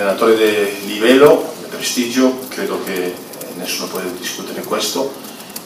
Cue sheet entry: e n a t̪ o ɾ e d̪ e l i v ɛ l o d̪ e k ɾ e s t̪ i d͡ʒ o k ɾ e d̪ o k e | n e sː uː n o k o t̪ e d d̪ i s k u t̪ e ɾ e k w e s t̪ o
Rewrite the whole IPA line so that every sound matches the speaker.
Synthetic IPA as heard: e n a t̪ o ɾ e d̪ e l i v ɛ l o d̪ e p ɾ e s t̪ i d͡ʒ o k ɾ e d̪ o k e | n e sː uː n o p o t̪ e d d̪ i s k u t̪ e ɾ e k w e s t̪ o